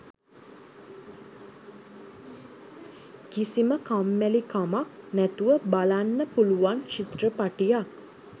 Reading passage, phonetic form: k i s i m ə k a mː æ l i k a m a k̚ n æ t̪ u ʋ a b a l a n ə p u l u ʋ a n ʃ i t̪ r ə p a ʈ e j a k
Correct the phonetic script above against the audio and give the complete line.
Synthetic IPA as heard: k i s i m ə k a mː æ l i k a m a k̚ n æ t̪ u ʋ ə b a l a nː ə p u l u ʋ a n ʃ i t̪ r ə p a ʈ i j a k